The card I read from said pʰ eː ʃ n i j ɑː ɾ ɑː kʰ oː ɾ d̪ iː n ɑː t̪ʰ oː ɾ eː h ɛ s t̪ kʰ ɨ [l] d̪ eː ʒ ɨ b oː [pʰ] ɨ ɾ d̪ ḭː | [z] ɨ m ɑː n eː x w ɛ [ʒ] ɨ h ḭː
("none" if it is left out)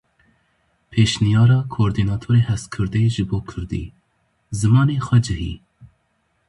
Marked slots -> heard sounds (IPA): ɾ, kʰ, z, d͡ʒ

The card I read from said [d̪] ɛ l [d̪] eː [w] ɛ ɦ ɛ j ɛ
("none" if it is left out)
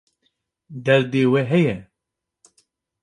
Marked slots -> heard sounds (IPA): d̪, d̪, w

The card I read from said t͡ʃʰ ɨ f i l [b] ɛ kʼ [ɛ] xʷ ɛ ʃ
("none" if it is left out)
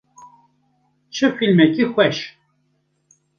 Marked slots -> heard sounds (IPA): m, i

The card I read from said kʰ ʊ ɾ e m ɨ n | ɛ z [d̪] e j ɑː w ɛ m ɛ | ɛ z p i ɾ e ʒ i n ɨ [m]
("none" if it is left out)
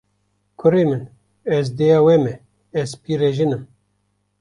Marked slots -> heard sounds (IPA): d̪, m

